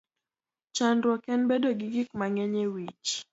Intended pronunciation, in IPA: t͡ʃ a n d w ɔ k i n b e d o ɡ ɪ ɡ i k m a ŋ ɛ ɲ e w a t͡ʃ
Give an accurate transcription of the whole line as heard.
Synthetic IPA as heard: t͡ʃ a n d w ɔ k ɛ n b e d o ɡ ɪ ɡ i k m a ŋ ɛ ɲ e w i t͡ʃ